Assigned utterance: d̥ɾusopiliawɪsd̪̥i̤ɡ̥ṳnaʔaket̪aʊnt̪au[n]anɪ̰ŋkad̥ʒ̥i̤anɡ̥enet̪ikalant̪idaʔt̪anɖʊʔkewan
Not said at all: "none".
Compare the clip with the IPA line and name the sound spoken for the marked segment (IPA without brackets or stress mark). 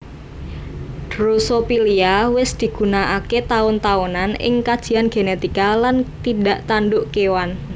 n